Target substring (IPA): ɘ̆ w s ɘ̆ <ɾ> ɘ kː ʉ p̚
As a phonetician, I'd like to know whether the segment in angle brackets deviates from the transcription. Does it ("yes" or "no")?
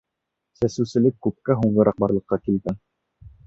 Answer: yes